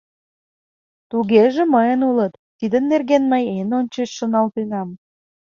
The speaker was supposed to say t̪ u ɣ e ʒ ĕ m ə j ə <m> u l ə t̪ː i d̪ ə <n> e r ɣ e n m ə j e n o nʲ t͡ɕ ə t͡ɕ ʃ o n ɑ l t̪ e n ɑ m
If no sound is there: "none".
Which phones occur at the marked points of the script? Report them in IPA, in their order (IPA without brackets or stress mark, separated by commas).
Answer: n, nː